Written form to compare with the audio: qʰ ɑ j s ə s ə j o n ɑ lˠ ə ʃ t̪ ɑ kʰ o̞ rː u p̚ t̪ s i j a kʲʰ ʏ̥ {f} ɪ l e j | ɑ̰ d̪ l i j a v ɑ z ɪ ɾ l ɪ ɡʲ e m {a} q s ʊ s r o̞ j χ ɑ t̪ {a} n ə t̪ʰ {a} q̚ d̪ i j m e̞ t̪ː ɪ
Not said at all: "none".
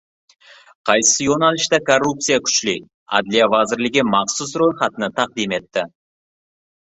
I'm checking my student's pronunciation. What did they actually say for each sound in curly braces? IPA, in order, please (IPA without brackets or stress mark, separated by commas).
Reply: ʃ, ɑ, ə, ɑ